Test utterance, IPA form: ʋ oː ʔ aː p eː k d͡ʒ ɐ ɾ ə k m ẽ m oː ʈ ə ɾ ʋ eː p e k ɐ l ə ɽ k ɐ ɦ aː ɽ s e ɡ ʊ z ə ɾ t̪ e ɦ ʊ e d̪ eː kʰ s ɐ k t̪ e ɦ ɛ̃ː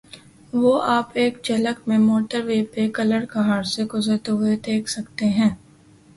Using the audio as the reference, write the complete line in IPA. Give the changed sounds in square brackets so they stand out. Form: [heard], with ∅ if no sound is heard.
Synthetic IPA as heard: ʋ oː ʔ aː p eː k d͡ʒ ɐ [l] ə k m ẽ m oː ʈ ə ɾ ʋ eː p e k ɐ l ə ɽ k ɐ ɦ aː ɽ s e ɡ ʊ z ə ɾ t̪ e ɦ ʊ e d̪ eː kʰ s ɐ k t̪ e ɦ ɛ̃ː